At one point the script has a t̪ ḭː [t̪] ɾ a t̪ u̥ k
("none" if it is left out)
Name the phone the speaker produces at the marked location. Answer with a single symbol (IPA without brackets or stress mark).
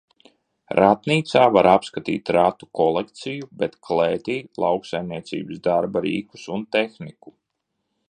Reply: t̪